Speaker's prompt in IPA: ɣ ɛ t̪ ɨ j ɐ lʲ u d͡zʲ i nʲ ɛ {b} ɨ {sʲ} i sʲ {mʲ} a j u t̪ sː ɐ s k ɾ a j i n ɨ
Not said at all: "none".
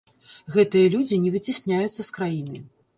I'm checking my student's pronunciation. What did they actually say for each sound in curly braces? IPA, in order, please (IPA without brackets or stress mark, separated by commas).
v, t͡sʲ, nʲ